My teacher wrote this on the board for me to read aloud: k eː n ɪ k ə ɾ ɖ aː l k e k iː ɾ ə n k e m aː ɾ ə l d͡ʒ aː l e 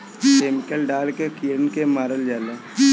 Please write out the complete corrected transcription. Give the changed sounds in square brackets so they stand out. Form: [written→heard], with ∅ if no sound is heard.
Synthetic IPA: k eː [n→m] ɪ k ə [ɾ→l] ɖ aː l k e k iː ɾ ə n k e m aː ɾ ə l d͡ʒ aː l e